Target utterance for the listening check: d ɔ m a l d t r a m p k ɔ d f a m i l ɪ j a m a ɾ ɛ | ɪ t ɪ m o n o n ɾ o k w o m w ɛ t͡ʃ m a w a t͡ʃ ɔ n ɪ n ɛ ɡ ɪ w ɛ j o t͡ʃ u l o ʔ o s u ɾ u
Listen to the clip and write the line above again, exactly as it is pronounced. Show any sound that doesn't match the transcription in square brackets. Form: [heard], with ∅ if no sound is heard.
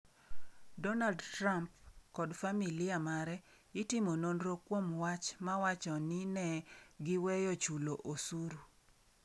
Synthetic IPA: d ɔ [n] a l d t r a m p k ɔ d f a m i l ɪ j a m a ɾ ɛ | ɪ t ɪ m o n o n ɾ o k w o m w [a] t͡ʃ m a w a t͡ʃ ɔ n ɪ n ɛ ɡ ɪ w ɛ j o t͡ʃ u l o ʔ o s u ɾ u